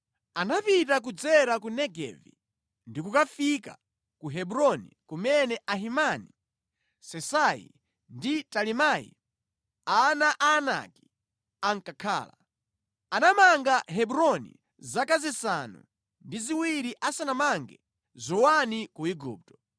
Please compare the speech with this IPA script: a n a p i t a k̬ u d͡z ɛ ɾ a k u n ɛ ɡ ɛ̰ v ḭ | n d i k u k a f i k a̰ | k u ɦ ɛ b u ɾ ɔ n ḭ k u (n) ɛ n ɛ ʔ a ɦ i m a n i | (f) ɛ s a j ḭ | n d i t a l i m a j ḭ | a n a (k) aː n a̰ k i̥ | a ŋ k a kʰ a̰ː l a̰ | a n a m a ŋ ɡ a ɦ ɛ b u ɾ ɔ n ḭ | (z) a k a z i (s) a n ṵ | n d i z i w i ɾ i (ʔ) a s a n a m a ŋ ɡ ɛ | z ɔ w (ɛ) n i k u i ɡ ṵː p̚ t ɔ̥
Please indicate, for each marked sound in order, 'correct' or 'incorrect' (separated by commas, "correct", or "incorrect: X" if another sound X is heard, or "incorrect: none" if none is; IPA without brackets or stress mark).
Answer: incorrect: m, incorrect: s, incorrect: ʔ, correct, correct, correct, incorrect: a